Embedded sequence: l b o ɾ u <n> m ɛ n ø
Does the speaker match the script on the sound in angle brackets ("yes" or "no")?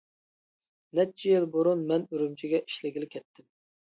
yes